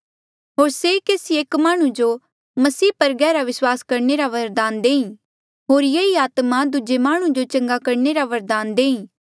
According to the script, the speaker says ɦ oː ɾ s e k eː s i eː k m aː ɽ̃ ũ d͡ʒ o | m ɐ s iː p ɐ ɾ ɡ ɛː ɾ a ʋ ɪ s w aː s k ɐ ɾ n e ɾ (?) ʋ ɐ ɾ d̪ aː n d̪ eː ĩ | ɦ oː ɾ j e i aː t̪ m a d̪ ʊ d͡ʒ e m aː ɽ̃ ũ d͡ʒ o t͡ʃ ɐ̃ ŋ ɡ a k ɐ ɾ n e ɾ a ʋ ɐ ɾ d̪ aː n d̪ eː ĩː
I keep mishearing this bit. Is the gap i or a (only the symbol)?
a